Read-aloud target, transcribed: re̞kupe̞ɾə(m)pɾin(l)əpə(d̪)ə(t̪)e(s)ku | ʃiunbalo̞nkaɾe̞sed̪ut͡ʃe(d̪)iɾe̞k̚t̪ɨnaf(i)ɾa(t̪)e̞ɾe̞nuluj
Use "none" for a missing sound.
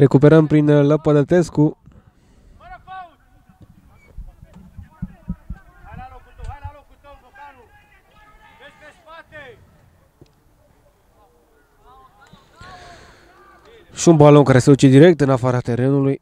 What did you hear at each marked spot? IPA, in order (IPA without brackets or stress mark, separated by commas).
m, l, d̪, t̪, s, d̪, a, t̪